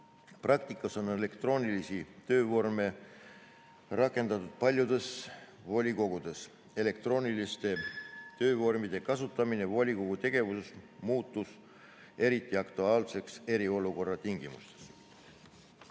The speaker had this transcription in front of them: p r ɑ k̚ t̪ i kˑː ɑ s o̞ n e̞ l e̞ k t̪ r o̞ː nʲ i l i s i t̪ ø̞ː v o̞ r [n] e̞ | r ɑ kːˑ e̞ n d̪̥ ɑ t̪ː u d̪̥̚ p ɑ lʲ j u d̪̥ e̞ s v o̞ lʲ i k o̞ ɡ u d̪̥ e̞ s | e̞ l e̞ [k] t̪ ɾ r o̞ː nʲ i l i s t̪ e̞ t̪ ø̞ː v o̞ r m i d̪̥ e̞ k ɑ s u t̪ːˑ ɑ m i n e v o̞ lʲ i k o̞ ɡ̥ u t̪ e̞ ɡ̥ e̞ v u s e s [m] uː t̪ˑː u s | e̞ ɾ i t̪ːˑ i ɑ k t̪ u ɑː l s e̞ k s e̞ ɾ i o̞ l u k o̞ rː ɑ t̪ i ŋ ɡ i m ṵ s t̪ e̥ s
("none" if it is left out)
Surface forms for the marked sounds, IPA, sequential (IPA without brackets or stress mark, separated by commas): m, k, m